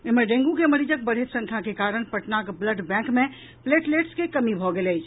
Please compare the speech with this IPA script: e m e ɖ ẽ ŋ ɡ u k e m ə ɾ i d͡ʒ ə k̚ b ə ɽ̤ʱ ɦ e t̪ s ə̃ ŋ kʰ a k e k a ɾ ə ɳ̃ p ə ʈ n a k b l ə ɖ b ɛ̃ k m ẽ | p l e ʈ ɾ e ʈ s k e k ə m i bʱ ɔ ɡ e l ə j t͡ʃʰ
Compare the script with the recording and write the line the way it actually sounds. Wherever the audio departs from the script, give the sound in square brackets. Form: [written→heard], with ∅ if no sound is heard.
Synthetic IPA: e m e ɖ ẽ ŋ ɡ u k e m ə ɾ i d͡ʒ ə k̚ b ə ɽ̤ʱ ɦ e t̪ s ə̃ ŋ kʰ a k e k a ɾ ə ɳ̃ p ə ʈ n a k b l ə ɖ b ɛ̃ k m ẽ | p l e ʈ [ɾ→l] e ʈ s k e k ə m i bʱ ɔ ɡ e l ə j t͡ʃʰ